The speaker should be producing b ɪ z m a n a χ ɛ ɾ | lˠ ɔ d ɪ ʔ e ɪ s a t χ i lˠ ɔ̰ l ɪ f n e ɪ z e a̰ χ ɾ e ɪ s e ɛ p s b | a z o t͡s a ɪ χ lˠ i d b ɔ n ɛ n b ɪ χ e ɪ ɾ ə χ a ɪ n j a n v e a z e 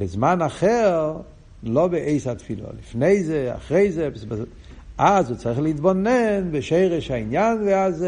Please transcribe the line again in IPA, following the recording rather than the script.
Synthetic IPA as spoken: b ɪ z m a n a χ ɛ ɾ | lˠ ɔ b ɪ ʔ e ɪ s a t f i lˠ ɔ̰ l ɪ f n e ɪ z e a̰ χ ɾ e ɪ z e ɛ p s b | a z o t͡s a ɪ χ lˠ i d b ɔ n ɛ n b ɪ ʃ e ɪ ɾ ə ʃ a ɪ n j a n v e a z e